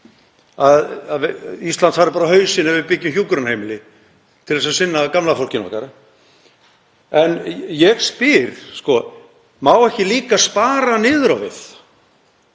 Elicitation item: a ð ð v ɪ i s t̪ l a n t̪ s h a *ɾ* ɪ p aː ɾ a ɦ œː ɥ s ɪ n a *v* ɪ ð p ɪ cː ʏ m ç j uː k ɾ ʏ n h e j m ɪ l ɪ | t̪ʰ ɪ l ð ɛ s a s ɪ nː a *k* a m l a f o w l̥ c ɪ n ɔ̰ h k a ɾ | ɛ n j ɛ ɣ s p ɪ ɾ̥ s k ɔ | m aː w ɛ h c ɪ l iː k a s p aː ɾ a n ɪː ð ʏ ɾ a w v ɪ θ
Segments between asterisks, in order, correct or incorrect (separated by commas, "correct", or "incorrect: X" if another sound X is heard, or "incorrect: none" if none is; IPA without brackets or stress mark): correct, correct, correct